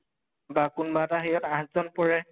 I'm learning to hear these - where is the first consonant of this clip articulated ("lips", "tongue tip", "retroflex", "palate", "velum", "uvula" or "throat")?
lips